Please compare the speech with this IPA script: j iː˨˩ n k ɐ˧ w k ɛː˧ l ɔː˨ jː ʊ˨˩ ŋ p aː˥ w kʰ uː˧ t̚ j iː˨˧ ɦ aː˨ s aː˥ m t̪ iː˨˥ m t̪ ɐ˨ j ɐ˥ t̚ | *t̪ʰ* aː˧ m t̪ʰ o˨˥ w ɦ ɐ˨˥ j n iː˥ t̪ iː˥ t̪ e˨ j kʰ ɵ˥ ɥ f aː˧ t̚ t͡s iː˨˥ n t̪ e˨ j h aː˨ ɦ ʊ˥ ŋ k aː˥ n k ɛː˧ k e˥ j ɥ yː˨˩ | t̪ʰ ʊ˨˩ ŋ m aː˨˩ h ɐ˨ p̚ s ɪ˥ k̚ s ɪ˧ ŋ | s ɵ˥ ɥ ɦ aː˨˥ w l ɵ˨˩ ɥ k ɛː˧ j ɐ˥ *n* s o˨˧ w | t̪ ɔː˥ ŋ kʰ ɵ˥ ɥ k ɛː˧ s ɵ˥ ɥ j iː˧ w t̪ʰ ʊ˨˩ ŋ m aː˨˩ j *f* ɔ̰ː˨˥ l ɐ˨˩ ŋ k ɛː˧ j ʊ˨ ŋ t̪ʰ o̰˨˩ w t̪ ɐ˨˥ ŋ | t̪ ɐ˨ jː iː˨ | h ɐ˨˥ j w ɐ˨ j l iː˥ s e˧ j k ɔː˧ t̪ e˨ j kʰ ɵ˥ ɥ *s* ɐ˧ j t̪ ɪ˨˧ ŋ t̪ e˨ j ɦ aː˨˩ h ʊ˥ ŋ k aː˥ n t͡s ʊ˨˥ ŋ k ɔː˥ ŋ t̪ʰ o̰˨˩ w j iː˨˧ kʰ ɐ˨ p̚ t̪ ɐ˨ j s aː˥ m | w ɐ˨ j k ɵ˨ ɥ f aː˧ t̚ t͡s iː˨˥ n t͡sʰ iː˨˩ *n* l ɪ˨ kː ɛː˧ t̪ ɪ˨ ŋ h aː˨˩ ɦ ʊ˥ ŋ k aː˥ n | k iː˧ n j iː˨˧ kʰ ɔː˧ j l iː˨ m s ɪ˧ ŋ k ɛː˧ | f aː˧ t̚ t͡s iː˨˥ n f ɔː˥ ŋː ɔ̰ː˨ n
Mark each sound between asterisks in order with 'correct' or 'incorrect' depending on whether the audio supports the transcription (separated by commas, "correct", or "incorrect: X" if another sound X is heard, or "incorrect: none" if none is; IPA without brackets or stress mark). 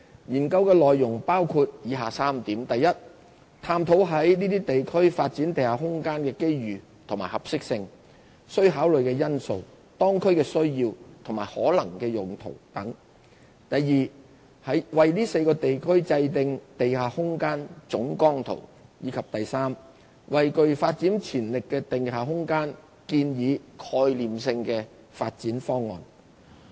correct, correct, incorrect: h, incorrect: t͡s, correct